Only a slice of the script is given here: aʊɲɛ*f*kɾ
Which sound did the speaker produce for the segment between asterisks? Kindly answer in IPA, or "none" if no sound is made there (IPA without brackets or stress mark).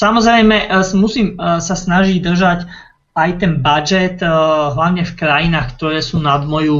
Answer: f